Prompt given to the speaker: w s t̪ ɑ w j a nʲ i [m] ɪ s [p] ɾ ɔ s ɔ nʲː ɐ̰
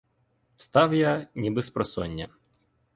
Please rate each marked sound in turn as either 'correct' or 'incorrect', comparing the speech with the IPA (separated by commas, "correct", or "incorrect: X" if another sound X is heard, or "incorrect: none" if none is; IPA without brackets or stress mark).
incorrect: b, correct